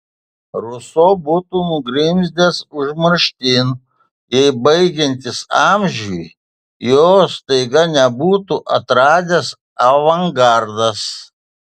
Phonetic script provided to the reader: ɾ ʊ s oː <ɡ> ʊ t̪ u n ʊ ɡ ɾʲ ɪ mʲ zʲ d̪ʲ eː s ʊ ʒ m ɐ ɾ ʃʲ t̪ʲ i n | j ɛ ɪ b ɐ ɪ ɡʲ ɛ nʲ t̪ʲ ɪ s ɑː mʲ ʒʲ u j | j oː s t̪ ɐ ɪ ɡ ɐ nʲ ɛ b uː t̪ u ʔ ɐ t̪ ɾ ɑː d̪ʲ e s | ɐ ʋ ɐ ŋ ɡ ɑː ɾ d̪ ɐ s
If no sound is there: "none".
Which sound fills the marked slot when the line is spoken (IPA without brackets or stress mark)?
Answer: b